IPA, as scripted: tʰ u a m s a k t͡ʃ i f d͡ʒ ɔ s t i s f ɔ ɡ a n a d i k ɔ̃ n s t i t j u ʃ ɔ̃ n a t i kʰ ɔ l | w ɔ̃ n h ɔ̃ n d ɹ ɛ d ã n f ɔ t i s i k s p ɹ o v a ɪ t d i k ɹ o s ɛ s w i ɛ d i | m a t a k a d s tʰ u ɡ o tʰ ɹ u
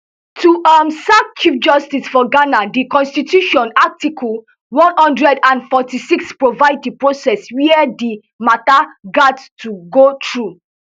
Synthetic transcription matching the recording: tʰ u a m s a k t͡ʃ i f d͡ʒ ɔ s t i s f ɔ ɡ a n a d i k ɔ̃ n s t i t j u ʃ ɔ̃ n a t i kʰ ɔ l | w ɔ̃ n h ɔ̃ n d ɹ ɛ d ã n f ɔ t i s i k s p ɹ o v a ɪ d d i p ɹ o s ɛ s w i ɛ d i | m a t a ɡ a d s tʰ u ɡ o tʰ ɹ u